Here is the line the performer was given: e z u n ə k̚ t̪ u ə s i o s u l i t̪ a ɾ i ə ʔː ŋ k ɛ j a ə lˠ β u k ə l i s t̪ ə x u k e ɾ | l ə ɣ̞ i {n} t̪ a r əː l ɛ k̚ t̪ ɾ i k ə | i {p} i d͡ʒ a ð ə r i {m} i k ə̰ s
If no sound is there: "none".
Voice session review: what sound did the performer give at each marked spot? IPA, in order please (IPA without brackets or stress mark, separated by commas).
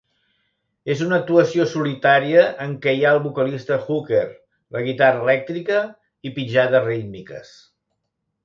none, p, m